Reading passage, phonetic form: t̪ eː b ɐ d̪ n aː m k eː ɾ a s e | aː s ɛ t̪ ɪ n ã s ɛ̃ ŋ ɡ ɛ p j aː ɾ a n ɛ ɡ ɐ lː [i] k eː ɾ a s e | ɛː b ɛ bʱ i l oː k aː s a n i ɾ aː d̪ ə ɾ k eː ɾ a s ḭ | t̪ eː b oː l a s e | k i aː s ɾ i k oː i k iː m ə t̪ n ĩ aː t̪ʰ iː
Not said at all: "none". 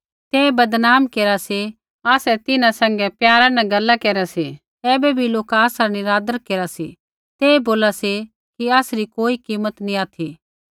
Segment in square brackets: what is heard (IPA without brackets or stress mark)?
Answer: a